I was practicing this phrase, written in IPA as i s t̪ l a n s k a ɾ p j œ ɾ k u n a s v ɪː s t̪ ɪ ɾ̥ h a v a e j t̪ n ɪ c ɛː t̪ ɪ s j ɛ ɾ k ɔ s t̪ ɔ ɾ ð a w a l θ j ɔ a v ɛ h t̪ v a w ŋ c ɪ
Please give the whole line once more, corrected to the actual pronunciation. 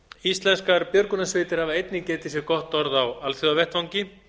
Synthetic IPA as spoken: i s t̪ l ɛ n s k a ɾ p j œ ɾ k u n a s v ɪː t̪ ɪ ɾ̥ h a v a e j t̪ n ɪ c ɛː t̪ ɪ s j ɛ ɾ k ɔ h t̪ ɔ ɾ ð a w a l θ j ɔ a v ɛ h t̪ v a w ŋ c ɪ

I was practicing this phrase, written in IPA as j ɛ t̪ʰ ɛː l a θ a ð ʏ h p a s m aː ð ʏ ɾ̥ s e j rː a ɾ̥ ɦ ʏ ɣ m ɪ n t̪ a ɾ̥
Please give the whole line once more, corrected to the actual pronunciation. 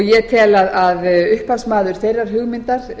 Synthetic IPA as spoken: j ɛ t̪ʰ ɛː l a ð a ð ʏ h p a s m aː ð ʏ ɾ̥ θ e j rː a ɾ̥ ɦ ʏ ɣ m ɪ n t̪ a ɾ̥

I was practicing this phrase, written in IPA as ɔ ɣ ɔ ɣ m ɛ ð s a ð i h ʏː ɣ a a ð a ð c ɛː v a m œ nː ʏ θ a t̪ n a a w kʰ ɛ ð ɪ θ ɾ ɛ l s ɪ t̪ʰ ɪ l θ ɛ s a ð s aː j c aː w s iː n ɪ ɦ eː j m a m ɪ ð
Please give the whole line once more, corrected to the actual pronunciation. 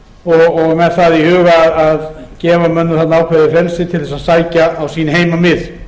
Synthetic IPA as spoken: ɔ ɣ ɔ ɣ m ɛ ð θ a ð i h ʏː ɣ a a ð a ð c ɛː v a m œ nː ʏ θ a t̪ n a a w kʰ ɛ ð ɪ f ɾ ɛ l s ɪ t̪ʰ ɪ l θ ɛ s a ð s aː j c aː w s iː n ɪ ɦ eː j m a m ɪ ð

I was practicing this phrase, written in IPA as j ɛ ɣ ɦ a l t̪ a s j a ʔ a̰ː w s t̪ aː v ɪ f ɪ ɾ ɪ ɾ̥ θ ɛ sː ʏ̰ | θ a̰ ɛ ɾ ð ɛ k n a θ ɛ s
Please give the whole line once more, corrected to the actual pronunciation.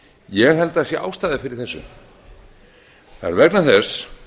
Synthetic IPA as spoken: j ɛ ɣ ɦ ɛ l t̪ a s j ɛ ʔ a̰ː w s t̪ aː ð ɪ f ɪ ɾ ɪ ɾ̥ θ ɛ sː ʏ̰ | θ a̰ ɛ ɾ v ɛ k n a θ ɛ s

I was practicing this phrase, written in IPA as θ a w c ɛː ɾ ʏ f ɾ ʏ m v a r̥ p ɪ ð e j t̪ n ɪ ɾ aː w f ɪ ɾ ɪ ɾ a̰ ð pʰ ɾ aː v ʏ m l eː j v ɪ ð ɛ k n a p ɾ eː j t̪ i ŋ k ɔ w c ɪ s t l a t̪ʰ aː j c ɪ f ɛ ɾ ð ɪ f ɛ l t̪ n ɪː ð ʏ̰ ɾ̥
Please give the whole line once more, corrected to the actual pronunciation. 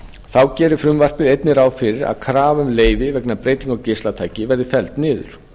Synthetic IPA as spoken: θ a w c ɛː ɾ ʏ f ɾ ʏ m v a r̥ p ɪ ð e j t̪ n ɪ ɾ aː w f ɪ ɾ ɪ ɾ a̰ ð kʰ ɾ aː v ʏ m l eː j v ɪ v ɛ k n a p ɾ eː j t̪ i ŋ k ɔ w c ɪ s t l a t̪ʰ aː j c ɪ v ɛ ɾ ð ɪ f ɛ l t̪ n ɪː ð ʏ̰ ɾ̥

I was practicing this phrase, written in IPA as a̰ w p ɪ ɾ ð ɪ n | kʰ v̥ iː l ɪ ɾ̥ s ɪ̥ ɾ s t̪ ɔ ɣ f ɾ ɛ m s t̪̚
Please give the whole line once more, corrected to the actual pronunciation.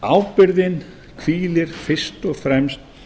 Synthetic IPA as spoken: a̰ w p ɪ ɾ ð ɪ n | kʰ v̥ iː l ɪ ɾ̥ f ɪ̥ s t̪ ɔ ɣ f ɾ ɛ m s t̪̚

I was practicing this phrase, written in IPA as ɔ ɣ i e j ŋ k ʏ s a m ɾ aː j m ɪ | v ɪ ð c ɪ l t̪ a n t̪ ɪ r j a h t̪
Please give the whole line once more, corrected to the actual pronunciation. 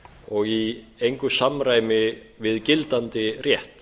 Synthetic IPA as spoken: ɔ ɣ i e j ŋ k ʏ s a m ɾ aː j m ɪ | v ɪ ð c ɪ l t̪ a n t̪ ɪ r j ɛ h t̪

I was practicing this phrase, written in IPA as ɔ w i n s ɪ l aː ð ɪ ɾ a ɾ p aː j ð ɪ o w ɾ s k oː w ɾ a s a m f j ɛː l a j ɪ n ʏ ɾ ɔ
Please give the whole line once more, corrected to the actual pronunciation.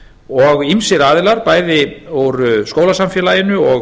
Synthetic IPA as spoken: ɔ ɣ i m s ɪ ɾ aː ð ɪ l a ɾ p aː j ð ɪ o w ɾ s k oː w l a s a m f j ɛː l a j ɪ n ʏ ɔ

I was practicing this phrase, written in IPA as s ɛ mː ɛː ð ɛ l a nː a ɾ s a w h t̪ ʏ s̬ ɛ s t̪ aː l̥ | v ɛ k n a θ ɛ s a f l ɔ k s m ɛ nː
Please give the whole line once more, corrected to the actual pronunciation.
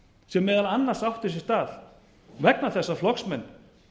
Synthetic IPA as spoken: s ɛ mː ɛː ð a l a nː a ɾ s a w h t̪ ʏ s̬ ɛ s t̪ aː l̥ | v ɛ k n a θ ɛ sː a f l ɔ k s m ɛ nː

